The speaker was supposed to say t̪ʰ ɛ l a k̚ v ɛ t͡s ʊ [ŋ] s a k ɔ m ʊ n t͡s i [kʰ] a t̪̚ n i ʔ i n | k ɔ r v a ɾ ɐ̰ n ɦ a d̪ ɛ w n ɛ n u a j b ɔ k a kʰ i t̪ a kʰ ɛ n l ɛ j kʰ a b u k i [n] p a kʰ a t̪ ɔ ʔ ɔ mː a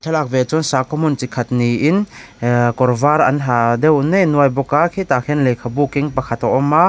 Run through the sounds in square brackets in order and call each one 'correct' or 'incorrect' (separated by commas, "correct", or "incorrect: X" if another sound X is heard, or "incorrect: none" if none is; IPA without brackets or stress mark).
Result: incorrect: n, correct, incorrect: ŋ